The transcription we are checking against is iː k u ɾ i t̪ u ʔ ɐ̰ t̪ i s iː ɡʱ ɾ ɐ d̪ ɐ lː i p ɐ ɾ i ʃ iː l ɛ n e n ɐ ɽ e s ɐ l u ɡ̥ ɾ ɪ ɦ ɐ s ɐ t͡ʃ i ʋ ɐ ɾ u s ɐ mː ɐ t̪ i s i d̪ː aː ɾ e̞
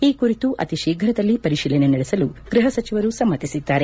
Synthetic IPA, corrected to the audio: iː k u ɾ i t̪ u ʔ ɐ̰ t̪ i ʃ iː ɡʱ ɾ ɐ d̪ ɐ lː i p ɐ ɾ i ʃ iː l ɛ n e n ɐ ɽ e s ɐ l u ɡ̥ ɾ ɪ ɦ ɐ s ɐ t͡ʃ i ʋ ɐ ɾ u s ɐ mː ɐ t̪ i s i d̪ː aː ɾ e̞